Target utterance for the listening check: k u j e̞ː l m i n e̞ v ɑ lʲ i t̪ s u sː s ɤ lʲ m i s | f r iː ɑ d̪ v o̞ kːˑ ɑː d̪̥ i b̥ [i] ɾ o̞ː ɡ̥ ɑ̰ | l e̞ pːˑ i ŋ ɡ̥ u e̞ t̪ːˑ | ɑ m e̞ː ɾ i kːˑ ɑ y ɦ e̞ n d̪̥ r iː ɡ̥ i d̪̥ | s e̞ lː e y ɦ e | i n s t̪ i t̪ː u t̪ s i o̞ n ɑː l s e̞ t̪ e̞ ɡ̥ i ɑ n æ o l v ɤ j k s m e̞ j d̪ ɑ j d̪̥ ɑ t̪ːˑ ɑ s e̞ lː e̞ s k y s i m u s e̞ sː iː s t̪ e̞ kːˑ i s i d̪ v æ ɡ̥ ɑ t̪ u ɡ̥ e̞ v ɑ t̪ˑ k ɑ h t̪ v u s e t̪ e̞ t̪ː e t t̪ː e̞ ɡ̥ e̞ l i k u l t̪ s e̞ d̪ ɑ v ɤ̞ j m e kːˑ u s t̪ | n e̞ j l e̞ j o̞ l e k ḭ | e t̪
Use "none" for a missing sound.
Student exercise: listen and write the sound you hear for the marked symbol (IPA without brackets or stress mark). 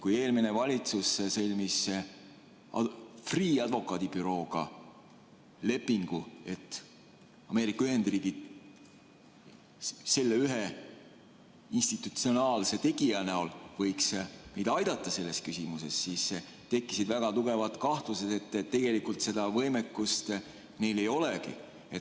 y